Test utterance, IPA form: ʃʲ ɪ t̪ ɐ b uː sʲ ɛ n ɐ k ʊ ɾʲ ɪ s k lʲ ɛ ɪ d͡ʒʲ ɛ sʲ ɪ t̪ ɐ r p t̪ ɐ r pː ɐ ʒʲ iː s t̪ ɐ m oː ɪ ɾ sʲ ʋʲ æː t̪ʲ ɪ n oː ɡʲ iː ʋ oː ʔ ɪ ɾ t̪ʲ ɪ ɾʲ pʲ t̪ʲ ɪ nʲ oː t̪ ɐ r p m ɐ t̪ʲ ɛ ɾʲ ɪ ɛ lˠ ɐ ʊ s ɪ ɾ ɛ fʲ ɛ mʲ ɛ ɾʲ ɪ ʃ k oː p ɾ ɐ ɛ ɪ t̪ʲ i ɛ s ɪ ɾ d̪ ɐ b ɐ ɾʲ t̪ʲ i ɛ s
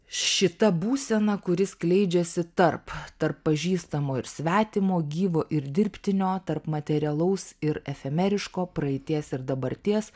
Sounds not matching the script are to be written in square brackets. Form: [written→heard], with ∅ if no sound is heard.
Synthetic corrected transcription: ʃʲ ɪ t̪ ɐ b uː sʲ ɛ n ɐ k ʊ ɾʲ ɪ s k lʲ ɛ ɪ d͡ʒʲ ɛ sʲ ɪ t̪ ɐ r p t̪ ɐ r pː ɐ ʒʲ iː s t̪ ɐ m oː ɪ ɾ sʲ ʋʲ æː t̪ʲ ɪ [n→m] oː ɡʲ iː ʋ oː ʔ ɪ ɾ [t̪ʲ→d̪ʲ] ɪ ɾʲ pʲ t̪ʲ ɪ nʲ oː t̪ ɐ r p m ɐ t̪ʲ ɛ ɾʲ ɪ ɛ lˠ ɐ ʊ s ɪ ɾ ɛ fʲ ɛ mʲ ɛ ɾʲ ɪ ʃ k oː p ɾ ɐ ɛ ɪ t̪ʲ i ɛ s ɪ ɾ d̪ ɐ b ɐ ɾʲ t̪ʲ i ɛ s